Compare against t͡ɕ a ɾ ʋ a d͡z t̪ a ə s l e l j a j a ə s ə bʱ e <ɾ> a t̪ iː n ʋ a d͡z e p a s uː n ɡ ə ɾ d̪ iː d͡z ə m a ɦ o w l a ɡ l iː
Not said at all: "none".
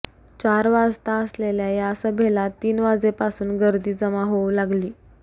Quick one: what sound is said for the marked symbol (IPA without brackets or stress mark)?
l